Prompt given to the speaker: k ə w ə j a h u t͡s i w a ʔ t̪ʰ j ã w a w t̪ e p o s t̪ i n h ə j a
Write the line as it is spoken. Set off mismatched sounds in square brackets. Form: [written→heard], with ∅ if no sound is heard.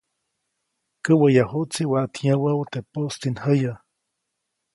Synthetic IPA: k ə w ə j a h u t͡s i w a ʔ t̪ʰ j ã w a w t̪ e p o s t̪ i n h ə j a